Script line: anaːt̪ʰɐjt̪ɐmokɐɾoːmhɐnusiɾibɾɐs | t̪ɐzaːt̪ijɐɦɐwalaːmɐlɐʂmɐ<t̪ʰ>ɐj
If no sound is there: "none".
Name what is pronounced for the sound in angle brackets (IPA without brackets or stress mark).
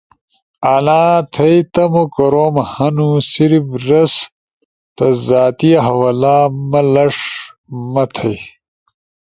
t̪ʰ